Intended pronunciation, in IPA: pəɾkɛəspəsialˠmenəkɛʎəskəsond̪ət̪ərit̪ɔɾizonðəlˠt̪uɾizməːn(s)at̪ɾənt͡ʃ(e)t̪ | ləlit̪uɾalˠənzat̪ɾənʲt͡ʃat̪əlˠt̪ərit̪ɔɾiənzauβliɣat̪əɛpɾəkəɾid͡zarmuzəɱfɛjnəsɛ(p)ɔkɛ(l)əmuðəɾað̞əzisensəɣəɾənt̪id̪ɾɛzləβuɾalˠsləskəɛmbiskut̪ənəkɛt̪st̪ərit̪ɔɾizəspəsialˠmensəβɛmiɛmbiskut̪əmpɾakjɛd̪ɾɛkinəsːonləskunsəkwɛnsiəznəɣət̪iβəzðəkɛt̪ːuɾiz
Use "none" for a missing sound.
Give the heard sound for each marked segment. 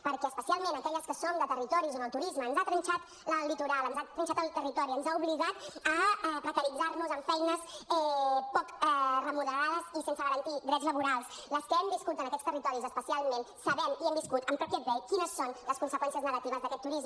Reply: z, a, p, r

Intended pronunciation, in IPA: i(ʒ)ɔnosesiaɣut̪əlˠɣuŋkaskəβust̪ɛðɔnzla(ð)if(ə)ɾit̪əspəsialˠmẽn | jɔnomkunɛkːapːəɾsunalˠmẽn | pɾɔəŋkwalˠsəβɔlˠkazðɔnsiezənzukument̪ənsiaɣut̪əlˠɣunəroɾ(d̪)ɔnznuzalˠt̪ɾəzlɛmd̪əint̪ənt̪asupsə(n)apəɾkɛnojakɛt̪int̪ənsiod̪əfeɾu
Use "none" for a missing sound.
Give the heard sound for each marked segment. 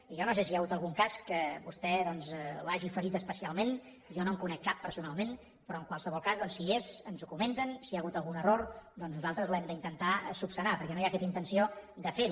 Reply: ʒ, ʒ, ə, d̪, n

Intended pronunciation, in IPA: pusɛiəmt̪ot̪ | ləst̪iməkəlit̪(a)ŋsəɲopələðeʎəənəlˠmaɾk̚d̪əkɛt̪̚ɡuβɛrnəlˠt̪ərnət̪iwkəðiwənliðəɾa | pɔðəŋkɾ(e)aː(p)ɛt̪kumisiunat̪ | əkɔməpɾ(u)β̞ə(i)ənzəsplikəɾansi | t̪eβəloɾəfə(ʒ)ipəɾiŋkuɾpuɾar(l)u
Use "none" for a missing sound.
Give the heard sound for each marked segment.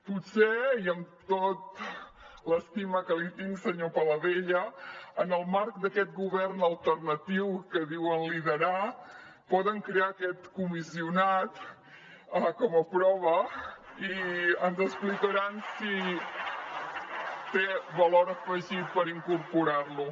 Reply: i, e, k, ɔ, i, ʒ, l

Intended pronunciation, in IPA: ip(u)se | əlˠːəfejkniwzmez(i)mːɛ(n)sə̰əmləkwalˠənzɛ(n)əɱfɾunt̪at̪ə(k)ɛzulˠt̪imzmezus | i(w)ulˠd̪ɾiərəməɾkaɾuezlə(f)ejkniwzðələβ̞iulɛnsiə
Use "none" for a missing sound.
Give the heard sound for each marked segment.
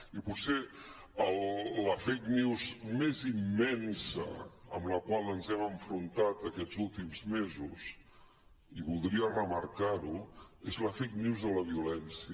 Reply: u, i, n, m, k, β, f

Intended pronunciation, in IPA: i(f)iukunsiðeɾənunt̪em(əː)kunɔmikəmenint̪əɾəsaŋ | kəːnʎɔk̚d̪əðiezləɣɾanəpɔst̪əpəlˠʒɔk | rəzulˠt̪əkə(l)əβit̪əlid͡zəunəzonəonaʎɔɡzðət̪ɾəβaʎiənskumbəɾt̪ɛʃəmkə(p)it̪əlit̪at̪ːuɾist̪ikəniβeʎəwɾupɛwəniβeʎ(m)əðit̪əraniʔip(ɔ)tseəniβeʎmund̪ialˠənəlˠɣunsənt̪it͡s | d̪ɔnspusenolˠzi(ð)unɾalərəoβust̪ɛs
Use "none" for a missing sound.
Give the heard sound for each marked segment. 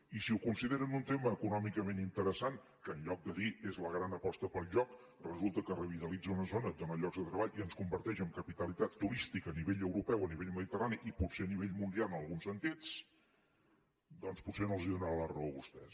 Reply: s, əː, r, p, m, u, ð

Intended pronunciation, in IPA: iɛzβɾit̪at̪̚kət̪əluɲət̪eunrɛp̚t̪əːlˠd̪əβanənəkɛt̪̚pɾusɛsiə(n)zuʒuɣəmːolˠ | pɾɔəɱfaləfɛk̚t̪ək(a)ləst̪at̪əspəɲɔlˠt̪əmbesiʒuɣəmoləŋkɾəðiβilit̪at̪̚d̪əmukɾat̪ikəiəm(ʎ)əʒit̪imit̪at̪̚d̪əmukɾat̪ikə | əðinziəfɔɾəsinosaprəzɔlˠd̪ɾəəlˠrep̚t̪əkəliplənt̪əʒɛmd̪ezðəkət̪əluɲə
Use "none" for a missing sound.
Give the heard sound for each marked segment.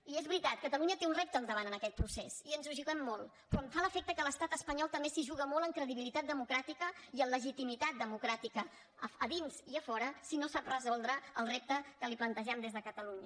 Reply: n, ə, l

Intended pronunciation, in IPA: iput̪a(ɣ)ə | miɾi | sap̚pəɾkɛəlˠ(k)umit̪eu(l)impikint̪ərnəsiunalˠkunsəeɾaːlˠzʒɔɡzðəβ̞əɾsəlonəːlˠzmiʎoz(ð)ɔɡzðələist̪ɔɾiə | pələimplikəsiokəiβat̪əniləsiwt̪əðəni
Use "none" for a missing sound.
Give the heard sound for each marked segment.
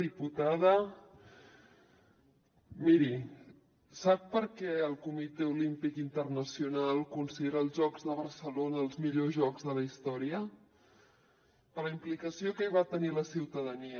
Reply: ð, k, l, ʒ

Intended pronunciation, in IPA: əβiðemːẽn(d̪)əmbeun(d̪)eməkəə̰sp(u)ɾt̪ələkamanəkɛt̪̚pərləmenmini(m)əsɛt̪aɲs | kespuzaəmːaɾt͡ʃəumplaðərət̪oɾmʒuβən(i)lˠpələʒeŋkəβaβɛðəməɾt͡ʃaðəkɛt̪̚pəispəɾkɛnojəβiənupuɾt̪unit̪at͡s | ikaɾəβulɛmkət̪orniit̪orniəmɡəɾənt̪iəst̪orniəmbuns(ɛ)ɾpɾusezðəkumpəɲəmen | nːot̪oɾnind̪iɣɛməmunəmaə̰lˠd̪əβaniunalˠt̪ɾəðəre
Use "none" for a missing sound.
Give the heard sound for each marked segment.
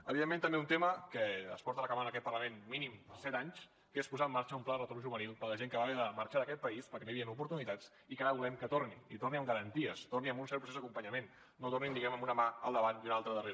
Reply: t̪, t̪, ɔ, m, i, ɛ

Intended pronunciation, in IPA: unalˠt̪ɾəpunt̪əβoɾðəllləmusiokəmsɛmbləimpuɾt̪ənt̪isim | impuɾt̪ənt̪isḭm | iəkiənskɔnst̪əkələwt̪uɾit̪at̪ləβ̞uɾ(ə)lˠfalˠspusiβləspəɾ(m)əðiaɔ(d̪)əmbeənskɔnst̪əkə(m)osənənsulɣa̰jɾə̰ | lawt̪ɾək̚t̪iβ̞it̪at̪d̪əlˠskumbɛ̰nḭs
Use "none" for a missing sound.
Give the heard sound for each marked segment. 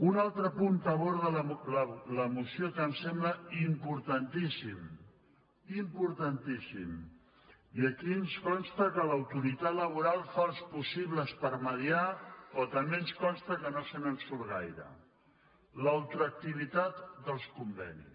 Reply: a, m, t̪, n

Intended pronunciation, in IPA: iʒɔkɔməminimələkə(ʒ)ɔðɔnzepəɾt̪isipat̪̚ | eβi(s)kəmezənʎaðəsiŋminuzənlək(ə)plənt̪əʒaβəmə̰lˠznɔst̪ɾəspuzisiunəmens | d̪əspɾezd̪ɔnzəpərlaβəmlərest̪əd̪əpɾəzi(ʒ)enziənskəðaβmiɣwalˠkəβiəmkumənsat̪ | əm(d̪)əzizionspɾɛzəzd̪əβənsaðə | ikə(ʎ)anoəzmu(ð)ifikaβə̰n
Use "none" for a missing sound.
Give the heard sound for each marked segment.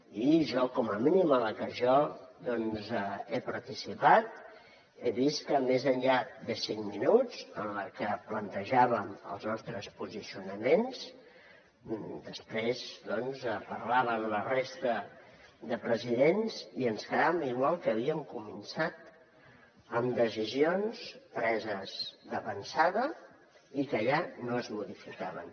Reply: ʒ, s, ə, ð, d̪, ʎ, ð

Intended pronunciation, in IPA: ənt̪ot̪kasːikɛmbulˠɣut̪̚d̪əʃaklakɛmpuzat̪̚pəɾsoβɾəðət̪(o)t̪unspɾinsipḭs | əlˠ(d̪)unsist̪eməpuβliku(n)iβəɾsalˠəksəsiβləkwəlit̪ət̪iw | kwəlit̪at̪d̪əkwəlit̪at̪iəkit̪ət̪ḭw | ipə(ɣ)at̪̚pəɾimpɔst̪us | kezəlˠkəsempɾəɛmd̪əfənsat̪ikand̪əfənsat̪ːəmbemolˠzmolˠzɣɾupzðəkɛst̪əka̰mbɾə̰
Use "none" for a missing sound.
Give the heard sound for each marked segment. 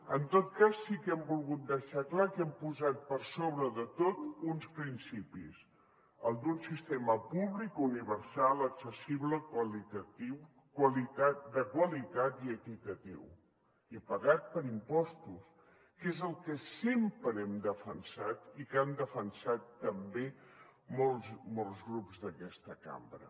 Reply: o, d̪, n, ɣ

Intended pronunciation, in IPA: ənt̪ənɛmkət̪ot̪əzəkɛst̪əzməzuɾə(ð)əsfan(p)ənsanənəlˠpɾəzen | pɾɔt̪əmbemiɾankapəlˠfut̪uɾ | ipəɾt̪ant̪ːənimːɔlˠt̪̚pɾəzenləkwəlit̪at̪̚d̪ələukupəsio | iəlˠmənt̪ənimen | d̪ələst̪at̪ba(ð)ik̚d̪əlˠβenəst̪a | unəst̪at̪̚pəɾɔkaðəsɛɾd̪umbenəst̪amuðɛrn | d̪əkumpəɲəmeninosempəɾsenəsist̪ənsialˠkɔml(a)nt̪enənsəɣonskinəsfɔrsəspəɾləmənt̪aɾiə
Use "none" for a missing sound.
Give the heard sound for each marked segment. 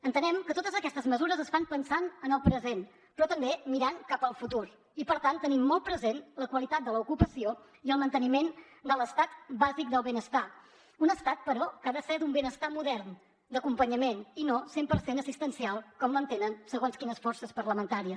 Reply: z, p, z, ə

